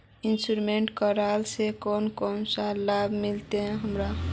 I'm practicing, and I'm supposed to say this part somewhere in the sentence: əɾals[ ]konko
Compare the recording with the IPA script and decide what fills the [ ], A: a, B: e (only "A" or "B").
B